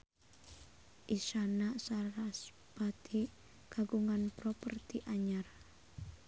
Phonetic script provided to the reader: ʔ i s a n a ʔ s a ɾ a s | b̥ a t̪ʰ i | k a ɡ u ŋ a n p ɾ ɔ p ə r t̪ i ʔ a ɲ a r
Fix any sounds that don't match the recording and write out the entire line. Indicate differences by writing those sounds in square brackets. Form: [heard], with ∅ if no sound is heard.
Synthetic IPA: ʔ i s a n a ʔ s a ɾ a s | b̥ a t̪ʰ i | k a ɡ u ŋ a n p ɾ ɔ p ə r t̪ i ʔ a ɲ a r